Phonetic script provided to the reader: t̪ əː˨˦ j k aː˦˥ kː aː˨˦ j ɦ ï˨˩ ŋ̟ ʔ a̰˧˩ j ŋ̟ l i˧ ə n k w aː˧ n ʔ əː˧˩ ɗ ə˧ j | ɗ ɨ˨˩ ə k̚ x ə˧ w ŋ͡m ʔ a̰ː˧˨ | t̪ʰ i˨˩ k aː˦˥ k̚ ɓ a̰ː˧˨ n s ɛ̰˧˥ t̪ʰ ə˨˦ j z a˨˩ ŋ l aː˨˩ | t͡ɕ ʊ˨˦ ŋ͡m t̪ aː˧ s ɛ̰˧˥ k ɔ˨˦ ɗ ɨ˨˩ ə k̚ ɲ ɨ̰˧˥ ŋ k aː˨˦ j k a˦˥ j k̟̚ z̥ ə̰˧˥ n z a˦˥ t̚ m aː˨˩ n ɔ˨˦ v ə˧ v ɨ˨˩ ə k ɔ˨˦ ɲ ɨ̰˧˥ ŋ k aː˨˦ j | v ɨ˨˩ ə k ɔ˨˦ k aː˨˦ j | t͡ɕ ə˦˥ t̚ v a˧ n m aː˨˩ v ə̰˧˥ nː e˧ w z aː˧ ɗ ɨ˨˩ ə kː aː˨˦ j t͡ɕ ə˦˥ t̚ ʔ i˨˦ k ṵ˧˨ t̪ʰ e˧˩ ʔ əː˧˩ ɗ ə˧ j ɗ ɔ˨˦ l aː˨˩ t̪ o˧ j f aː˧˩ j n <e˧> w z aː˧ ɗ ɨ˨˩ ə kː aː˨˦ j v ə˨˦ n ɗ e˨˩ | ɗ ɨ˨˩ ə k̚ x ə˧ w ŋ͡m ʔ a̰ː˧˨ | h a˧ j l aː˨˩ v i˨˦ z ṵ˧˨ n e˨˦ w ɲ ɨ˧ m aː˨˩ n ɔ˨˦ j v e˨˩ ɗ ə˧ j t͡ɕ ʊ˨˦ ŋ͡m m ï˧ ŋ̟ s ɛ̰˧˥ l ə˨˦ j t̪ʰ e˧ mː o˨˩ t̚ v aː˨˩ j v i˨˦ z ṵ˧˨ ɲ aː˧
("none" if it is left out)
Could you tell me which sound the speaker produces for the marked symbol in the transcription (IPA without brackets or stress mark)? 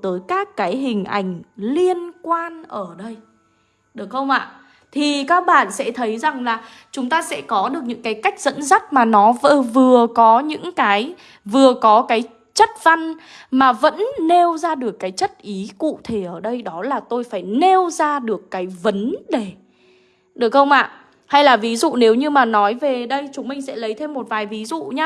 e˧